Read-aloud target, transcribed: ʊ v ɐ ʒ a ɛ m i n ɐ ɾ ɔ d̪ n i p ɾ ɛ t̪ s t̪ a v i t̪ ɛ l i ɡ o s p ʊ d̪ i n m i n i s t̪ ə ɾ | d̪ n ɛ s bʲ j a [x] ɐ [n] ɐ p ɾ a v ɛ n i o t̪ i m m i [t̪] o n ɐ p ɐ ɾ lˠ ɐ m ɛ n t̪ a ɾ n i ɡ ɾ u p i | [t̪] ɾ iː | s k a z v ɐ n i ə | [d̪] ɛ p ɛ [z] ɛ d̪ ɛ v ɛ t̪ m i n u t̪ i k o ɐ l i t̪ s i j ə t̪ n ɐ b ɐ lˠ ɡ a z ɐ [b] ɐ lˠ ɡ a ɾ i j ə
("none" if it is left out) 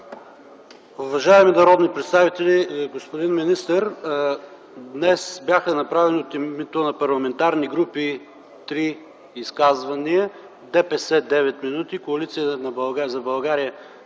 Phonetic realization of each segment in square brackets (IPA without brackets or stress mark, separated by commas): x, n, t̪, t̪, d̪, s, b